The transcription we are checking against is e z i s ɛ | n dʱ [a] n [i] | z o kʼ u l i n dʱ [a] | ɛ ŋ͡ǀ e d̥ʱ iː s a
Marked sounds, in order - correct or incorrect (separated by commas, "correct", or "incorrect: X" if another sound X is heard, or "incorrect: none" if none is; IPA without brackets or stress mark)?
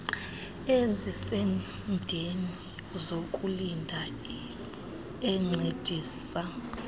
incorrect: e, correct, correct